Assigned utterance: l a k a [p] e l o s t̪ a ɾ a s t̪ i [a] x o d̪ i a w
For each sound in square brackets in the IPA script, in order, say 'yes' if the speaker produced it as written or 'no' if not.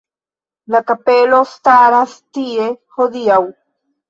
yes, no

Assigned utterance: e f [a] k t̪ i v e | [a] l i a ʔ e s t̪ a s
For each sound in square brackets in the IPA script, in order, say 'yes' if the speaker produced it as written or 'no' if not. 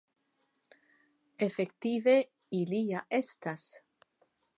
no, no

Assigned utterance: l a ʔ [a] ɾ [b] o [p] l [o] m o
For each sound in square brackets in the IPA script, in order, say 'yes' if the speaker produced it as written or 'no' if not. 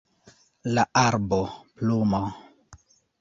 yes, yes, yes, no

